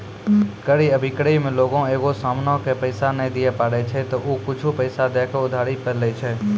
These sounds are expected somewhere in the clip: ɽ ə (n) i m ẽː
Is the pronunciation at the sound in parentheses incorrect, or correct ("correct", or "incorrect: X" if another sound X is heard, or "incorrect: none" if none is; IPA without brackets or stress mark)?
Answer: incorrect: none